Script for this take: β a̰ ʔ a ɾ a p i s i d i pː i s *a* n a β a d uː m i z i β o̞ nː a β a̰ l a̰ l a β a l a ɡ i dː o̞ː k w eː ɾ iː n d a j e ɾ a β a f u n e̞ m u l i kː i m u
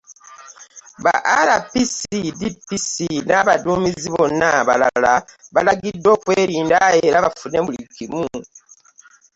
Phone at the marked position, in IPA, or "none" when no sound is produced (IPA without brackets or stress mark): i